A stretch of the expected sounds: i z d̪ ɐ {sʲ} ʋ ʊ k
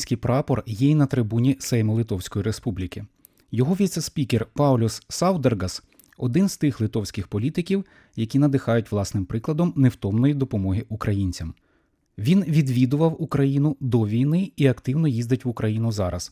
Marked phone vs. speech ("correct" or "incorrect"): incorrect